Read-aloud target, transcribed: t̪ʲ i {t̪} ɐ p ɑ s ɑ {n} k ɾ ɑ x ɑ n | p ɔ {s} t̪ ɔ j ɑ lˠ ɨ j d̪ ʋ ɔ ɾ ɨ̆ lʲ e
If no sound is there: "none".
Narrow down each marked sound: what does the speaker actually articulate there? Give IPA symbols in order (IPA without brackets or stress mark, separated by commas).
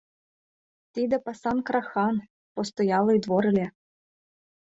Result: d̪, n, s